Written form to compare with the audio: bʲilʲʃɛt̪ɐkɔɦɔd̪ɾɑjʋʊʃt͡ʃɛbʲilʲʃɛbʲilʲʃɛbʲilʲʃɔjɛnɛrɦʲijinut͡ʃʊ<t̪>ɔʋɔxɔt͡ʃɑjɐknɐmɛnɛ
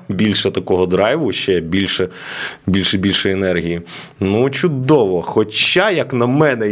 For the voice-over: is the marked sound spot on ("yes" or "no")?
no